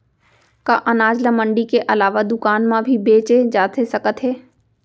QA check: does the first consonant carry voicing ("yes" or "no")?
no